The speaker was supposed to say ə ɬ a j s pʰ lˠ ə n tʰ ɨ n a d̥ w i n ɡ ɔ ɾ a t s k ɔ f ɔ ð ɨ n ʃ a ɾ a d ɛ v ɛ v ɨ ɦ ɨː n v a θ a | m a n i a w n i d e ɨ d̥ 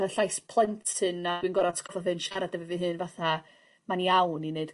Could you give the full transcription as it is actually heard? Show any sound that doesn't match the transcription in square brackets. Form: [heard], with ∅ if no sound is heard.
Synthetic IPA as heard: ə ɬ a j s pʰ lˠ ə n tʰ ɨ n a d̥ w i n ɡ ɔ ɾ a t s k ɔ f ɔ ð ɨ n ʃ a ɾ a d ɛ v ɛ v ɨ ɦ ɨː n v a θ a | m a n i a w n i [n] e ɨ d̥